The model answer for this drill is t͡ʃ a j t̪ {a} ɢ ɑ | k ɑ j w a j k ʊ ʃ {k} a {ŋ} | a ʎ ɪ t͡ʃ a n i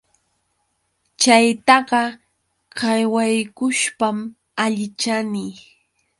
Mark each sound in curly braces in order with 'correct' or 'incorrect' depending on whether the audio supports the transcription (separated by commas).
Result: incorrect, incorrect, incorrect